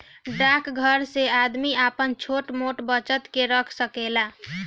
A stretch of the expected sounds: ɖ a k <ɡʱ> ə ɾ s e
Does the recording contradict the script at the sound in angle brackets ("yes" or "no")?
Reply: no